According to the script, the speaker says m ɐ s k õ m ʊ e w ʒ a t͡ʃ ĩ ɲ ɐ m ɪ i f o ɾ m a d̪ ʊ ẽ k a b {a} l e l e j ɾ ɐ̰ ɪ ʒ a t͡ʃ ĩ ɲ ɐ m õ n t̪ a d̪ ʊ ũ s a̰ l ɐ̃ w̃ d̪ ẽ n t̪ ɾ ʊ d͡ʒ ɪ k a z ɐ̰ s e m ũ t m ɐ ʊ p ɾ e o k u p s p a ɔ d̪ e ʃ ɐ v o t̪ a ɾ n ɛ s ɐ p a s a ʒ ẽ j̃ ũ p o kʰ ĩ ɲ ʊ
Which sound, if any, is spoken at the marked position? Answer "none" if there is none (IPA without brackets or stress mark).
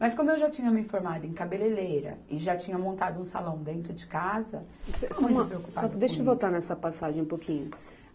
e